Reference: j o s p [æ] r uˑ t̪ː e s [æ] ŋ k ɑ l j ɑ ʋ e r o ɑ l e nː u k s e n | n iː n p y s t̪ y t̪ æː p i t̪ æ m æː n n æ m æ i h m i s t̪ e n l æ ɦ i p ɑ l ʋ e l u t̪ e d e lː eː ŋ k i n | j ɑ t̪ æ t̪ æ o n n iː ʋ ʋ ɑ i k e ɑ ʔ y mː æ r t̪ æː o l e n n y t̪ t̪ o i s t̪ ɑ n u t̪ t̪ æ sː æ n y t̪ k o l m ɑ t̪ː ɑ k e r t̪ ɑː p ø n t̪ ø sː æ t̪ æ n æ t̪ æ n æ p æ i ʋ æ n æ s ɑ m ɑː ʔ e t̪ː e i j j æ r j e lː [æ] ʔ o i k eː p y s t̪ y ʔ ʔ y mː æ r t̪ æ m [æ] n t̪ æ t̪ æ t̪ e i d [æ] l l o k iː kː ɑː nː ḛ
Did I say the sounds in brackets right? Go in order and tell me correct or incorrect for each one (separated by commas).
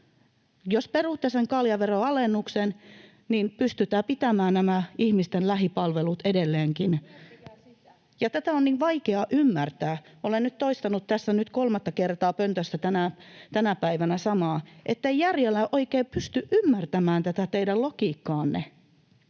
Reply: incorrect, incorrect, correct, incorrect, correct